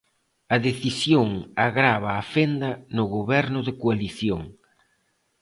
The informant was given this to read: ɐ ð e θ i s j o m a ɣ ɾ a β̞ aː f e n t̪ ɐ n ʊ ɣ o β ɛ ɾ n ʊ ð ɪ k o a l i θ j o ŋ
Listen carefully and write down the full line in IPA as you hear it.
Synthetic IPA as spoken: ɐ ð e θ i s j o ŋ a ɣ ɾ a β̞ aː f e n d̪ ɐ n ʊ ɣ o β ɛ ɾ n ʊ ð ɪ k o a l i θ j o ŋ